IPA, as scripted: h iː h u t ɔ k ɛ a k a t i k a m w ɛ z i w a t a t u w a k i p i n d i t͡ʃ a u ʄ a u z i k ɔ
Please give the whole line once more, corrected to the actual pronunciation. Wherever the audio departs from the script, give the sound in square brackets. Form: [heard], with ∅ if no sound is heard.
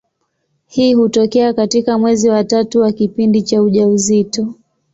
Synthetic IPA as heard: h iː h u t ɔ k ɛ a k a t i k a m w ɛ z i w a t a t u w a k i p i n d i t͡ʃ a u ʄ a u z i [t] ɔ